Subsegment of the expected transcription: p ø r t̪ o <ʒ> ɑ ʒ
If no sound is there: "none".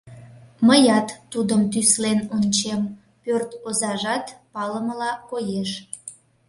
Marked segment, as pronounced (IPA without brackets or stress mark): z